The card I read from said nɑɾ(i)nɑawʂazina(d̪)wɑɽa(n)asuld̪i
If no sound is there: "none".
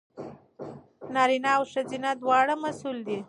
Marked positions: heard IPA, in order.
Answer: i, d̪, m

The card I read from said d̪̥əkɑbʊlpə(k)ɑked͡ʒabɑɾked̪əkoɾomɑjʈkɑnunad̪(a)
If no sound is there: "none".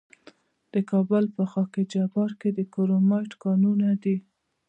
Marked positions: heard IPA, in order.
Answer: x, i

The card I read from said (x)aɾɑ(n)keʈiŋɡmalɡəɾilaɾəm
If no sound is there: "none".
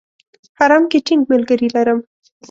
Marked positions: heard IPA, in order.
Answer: h, m

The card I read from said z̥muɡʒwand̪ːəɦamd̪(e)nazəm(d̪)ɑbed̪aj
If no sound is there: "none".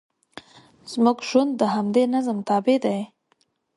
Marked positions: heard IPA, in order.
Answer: e, t̪

